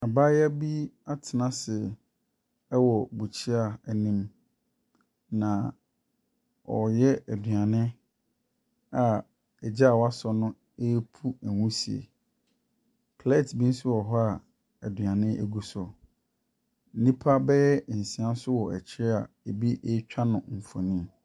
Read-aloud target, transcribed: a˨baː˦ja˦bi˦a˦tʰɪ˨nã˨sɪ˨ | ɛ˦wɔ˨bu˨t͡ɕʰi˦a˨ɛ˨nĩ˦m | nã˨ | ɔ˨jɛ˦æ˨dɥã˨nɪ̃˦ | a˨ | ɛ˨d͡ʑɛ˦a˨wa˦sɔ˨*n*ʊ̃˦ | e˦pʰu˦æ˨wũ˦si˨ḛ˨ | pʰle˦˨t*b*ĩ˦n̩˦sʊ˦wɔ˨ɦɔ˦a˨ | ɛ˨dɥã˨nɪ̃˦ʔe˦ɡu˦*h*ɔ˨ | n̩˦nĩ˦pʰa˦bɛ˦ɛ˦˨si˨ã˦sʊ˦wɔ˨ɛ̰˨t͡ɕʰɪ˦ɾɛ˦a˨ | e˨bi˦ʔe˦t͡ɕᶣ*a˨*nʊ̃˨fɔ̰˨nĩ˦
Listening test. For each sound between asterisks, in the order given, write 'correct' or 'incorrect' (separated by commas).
correct, correct, incorrect, incorrect